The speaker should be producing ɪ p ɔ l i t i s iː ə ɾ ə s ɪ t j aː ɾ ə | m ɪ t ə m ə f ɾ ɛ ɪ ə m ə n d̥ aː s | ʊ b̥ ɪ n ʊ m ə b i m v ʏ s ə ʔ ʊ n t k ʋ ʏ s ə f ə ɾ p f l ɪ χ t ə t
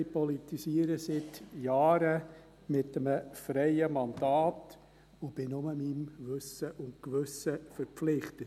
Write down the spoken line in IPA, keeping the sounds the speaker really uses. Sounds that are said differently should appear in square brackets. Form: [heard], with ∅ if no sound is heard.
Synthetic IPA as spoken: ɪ p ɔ l i t i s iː ə ɾ ə s ɪ t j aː ɾ ə | m ɪ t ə m ə f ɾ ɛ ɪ ə m [ɑ] n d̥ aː [t] | ʊ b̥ ɪ n ʊ m ə [m] i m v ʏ s ə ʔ ʊ n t k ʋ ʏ s ə f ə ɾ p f l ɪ χ t ə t